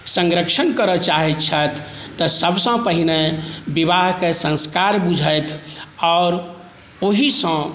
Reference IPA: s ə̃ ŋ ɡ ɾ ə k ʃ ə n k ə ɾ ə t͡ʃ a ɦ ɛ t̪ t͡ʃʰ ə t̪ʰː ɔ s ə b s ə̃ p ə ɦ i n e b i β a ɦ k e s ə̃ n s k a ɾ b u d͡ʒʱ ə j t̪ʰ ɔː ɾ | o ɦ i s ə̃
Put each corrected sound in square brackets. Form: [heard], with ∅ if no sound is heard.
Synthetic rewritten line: s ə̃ ŋ ɡ ɾ ə k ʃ ə n k ə ɾ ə t͡ʃ a ɦ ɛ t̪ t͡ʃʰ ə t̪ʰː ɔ s ə b s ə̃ p ə ɦ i n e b i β a ɦ k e s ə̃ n s k a ɾ b u d͡ʒʱ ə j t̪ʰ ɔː ɾ | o ɦ i s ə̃